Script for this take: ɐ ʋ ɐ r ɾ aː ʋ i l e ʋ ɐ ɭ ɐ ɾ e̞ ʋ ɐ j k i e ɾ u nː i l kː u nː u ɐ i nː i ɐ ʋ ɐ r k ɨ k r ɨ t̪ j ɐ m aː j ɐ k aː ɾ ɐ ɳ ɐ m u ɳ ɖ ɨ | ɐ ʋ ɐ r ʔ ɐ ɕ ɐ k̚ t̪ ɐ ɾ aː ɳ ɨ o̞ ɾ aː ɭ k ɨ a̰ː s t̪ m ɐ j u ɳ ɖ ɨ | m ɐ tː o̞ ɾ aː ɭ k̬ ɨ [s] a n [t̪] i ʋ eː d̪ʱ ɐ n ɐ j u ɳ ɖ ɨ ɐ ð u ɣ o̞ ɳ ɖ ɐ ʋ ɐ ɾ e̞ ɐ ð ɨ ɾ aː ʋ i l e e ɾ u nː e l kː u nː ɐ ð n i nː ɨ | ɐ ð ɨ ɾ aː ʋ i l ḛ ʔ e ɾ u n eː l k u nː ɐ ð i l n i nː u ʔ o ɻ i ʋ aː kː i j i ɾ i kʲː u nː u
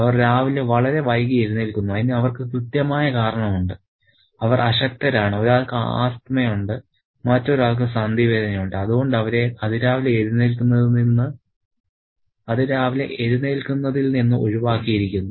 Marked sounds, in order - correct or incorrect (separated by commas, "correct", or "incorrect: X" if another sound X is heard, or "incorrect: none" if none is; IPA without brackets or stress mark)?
correct, incorrect: d̪